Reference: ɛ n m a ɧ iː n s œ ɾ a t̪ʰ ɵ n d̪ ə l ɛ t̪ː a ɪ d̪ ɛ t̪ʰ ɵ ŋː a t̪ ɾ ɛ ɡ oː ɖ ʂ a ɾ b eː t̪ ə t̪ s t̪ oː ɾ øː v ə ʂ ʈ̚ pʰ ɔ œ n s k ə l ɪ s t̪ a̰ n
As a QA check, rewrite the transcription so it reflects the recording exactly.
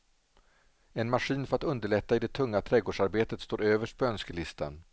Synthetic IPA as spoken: ɛ n m a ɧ iː n f œ ɾ a t̪ ɵ n d̪ ə ɭ ɛ t̪ː a ɪ d̪ ɛ t̪ʰ ɵ ŋː a t̪ʰ ɾ ɛ ɡ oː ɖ ʂ a ɾ b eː t̪ ə t̪ s t̪ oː ɾ øː v ə ʂ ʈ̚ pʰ ɔ œ n s k ə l ɪ s t̪ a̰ n